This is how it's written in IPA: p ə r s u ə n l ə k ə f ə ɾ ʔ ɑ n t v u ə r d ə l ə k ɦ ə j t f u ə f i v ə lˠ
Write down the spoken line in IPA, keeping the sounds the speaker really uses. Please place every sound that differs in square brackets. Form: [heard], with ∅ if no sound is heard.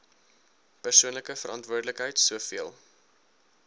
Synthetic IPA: p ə r s u ə n l ə k ə f ə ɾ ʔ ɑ n t v u ə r d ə l ə k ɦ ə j t [s] u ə f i [∅] ə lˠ